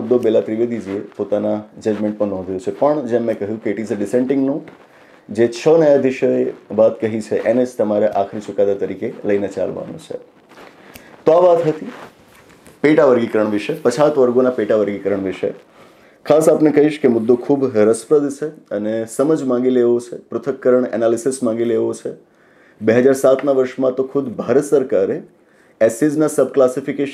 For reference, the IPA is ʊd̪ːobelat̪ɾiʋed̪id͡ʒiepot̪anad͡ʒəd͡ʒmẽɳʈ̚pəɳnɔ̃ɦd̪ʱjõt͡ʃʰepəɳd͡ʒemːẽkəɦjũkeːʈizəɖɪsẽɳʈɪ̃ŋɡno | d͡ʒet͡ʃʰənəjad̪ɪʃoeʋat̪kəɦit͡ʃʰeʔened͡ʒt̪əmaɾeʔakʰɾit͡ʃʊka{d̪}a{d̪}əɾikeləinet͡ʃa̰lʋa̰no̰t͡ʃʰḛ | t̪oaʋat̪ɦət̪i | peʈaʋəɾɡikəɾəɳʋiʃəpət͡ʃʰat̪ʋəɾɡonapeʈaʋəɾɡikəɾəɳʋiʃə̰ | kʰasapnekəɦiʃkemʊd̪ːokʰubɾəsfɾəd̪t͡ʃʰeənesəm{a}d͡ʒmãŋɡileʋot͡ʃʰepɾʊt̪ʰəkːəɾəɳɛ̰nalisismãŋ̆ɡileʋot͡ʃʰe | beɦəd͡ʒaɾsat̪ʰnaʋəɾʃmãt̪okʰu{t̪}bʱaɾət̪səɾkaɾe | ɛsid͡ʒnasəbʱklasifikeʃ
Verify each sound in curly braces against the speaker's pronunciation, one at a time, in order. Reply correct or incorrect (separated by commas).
correct, incorrect, incorrect, incorrect